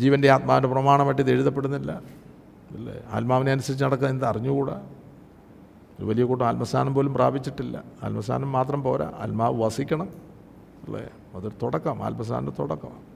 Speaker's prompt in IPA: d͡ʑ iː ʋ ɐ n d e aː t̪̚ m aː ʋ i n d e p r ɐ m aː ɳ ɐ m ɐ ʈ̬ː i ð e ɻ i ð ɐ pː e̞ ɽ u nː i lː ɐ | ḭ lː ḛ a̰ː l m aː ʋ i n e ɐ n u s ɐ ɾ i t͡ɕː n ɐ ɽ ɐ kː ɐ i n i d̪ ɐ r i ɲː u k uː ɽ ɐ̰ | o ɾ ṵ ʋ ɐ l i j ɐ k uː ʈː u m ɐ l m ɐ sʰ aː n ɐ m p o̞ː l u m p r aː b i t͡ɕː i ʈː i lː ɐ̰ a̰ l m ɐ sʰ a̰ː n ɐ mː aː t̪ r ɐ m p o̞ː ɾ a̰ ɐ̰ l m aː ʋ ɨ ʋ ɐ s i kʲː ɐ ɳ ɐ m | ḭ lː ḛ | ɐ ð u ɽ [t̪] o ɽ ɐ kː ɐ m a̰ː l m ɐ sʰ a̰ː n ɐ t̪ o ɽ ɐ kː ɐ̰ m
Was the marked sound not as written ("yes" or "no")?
no